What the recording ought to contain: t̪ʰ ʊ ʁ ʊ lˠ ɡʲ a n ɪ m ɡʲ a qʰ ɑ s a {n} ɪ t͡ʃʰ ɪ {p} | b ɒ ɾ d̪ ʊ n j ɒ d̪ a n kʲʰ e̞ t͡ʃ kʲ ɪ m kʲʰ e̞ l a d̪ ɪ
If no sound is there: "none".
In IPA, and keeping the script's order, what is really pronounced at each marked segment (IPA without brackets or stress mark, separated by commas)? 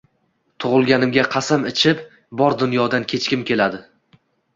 m, p